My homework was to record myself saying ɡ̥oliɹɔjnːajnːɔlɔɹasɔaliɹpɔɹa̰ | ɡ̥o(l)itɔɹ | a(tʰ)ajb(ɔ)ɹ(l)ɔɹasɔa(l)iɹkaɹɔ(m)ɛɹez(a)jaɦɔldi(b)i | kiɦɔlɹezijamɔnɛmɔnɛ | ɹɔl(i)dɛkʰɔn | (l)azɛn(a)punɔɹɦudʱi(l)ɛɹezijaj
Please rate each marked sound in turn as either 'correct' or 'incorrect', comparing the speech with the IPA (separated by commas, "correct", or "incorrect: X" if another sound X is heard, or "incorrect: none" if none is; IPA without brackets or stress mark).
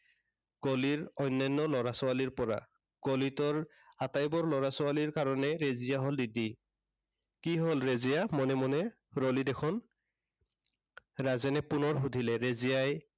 correct, incorrect: t, correct, correct, correct, incorrect: n, incorrect: i, incorrect: d, correct, incorrect: ɹ, incorrect: ɛ, correct